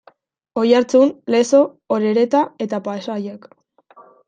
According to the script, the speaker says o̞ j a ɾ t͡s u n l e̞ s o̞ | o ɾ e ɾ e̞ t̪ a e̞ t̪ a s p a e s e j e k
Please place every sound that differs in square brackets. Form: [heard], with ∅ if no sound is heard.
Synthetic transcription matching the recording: o̞ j a ɾ t͡s u n l e̞ s o̞ | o ɾ e ɾ e̞ t̪ a e̞ t̪ a [∅] p a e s [a] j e k